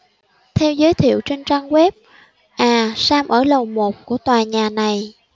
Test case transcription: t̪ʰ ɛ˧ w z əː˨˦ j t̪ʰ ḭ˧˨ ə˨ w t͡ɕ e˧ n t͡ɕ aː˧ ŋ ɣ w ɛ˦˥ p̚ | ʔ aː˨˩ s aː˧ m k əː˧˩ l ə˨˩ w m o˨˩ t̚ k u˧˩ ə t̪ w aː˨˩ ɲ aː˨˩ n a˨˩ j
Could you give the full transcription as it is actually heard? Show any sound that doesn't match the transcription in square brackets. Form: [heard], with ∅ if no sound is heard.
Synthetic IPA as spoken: t̪ʰ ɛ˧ w z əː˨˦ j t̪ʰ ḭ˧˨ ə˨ w t͡ɕ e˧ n t͡ɕ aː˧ ŋ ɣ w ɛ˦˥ p̚ | ʔ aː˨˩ s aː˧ m [ʔ] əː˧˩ l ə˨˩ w m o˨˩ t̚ k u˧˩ ə t̪ w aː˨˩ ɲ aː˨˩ n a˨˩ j